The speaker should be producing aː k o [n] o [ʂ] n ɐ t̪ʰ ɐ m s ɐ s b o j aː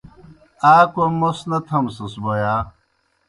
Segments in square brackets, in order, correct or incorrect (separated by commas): incorrect, incorrect